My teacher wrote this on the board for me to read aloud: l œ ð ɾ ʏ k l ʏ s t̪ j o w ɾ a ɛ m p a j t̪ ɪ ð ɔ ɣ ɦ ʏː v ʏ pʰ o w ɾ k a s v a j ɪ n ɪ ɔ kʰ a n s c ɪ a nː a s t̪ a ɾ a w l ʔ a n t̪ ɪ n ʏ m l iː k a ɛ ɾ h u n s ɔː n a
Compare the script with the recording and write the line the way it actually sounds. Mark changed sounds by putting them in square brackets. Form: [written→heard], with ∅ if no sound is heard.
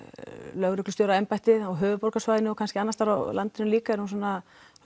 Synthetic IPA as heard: l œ [ð→ɣ] ɾ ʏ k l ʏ s t̪ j o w ɾ a ɛ m p a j t̪ ɪ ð ɔ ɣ ɦ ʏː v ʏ [pʰ→p] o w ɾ k a s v a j ɪ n ɪ ɔ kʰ a n s c ɪ a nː a s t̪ a ɾ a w l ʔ a n t̪ ɪ n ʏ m l iː k a ɛ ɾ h u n s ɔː n a

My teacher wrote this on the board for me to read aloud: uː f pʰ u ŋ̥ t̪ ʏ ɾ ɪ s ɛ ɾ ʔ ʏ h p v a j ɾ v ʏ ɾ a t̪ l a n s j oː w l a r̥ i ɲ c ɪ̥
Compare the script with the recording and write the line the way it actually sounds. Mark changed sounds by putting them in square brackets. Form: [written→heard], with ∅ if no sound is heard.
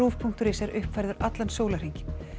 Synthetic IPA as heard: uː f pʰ u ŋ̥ t̪ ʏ ɾ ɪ s ɛ ɾ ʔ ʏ h p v a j ɾ [v→ð] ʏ ɾ a t̪ l a n s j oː w l a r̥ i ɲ c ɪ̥

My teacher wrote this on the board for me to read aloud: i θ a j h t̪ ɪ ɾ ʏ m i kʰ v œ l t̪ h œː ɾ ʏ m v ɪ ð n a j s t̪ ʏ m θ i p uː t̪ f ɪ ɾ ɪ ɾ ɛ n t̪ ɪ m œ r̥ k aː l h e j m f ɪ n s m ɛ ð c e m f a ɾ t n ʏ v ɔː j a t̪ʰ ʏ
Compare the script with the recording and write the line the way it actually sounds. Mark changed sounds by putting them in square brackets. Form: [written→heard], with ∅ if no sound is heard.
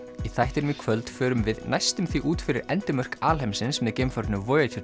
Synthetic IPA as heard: i θ a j h t̪ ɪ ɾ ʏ m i kʰ v œ l t̪ [h→f] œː ɾ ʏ m v ɪ ð n a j s t̪ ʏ m θ i [p→ʔ] uː t̪ f ɪ ɾ ɪ ɾ ɛ n t̪ ɪ m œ r̥ k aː l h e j m [f→s] ɪ n s m ɛ ð c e m f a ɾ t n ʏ v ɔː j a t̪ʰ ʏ

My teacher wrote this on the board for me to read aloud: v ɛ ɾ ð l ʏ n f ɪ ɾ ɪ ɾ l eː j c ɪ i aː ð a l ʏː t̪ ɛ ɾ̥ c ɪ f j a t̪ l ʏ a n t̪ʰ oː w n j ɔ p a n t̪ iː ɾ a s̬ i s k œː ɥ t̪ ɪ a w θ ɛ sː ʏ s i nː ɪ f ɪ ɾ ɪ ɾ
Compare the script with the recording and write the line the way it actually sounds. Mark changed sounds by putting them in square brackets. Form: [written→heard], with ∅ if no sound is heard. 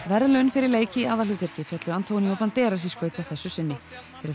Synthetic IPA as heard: v ɛ ɾ ð l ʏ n f ɪ ɾ ɪ ɾ l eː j c ɪ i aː ð a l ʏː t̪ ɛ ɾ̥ c ɪ f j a t̪ l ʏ a n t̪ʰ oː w n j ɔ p a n t̪ [iː→ɛː] ɾ a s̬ i s k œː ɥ t̪ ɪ a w θ ɛ sː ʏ s [i→ɪ] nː ɪ f ɪ ɾ ɪ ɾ

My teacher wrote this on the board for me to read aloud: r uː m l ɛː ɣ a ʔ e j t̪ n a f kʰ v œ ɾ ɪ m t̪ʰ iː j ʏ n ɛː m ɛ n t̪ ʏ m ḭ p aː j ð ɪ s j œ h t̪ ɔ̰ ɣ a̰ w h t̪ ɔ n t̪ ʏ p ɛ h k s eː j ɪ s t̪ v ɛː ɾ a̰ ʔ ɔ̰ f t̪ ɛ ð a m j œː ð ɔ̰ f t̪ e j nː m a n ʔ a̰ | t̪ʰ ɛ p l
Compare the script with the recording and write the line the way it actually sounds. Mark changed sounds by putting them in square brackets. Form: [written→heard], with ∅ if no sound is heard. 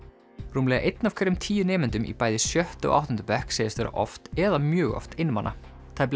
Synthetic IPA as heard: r uː m l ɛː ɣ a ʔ e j t̪ n a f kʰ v [œ→ɛ] ɾ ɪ m t̪ʰ iː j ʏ n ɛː m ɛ n t̪ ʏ m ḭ p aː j ð ɪ s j œ h t̪ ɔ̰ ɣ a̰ w h t̪ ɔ n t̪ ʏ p ɛ h k s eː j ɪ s t̪ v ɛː ɾ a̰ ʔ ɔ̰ f t̪ ɛ ð a m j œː [ð→ɣ] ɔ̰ f t̪ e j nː m a n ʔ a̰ | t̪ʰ [ɛ→a] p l

